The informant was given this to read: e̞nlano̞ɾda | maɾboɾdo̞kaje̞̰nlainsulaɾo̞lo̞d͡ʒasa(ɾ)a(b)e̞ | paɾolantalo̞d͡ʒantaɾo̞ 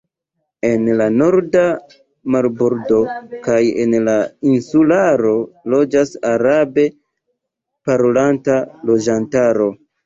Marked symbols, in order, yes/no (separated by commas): yes, yes